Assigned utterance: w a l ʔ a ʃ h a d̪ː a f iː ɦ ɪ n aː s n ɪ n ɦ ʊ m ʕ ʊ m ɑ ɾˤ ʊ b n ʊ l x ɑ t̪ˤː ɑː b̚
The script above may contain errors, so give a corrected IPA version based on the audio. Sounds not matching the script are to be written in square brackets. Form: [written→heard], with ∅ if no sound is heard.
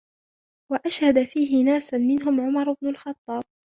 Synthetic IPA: w a [l→∅] ʔ a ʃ h a [d̪ː→d̪] a f iː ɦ ɪ n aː s [n→m] ɪ n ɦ ʊ m ʕ ʊ m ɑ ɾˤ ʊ b n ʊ l x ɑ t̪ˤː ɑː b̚